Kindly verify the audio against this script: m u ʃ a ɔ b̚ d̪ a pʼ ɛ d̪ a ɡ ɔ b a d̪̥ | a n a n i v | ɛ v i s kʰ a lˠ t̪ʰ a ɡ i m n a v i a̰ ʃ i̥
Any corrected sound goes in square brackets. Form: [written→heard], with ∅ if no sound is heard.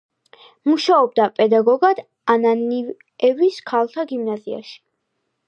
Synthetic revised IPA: m u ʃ a ɔ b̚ d̪ a pʼ ɛ d̪ a ɡ ɔ [b→ɡ] a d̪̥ | a n a n i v | ɛ v i s kʰ a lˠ t̪ʰ a ɡ i m n a [v→z] i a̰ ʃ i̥